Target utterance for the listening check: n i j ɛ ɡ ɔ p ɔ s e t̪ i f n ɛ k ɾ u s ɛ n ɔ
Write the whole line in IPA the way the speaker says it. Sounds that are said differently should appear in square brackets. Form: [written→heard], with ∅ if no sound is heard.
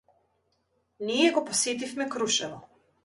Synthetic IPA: n i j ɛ ɡ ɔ p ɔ s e t̪ i f [n→m] ɛ k ɾ u [s→ʃ] ɛ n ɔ